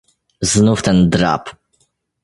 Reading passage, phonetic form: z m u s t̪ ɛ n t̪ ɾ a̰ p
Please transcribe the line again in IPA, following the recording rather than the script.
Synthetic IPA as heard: z n u f t̪ ɛ n d̪ ɾ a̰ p